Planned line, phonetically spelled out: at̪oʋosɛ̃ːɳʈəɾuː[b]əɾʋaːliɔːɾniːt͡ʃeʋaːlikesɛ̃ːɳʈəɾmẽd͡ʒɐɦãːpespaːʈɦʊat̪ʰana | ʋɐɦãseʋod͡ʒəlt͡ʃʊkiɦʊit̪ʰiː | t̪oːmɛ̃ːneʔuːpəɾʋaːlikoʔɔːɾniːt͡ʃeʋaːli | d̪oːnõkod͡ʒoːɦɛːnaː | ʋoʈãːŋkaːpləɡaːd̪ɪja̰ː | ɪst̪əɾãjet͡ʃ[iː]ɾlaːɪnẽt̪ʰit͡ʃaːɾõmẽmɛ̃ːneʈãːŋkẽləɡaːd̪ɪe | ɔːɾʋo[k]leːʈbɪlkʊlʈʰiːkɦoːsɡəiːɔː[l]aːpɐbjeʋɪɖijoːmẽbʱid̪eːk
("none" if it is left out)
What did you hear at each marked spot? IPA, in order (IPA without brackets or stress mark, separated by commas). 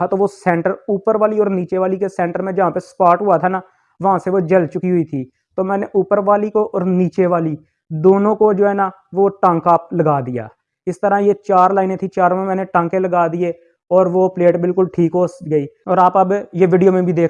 p, aː, p, ɾ